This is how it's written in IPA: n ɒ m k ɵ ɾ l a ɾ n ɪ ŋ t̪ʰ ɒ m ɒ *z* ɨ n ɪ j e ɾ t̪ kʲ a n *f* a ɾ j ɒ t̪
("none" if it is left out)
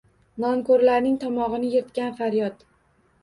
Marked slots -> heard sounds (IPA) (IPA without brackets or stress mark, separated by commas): ʁ, f